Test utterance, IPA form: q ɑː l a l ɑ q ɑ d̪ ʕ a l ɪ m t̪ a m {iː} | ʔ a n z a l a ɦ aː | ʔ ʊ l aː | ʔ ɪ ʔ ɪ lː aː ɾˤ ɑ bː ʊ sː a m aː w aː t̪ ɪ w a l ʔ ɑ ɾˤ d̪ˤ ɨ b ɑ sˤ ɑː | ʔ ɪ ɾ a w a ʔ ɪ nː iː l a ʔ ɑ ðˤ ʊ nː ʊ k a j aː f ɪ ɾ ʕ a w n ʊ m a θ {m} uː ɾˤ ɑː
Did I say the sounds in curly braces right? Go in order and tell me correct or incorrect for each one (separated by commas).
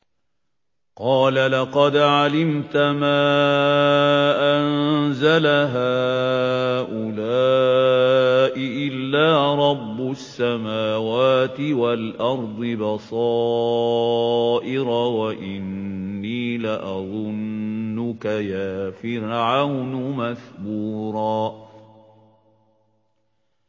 incorrect, incorrect